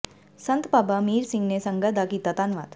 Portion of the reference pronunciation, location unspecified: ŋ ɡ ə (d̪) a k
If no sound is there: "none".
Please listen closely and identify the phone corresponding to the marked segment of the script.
d̪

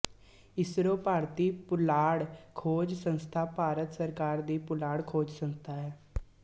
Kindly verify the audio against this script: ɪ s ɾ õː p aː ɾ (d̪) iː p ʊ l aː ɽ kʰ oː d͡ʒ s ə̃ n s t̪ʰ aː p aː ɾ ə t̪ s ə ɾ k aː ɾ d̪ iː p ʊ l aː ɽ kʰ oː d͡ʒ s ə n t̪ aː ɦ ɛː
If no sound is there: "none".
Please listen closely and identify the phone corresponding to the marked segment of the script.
t̪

